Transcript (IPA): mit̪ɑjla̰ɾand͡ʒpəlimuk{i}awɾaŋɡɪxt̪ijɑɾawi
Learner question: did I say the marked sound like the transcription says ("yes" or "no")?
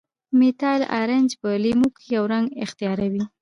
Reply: no